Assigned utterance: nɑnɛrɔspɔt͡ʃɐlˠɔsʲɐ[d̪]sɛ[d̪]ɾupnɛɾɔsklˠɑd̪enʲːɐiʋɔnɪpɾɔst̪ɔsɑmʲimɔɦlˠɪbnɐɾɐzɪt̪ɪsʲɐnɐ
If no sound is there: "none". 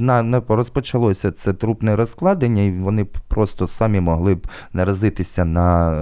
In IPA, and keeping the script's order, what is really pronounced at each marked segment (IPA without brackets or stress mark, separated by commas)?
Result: t̪, t̪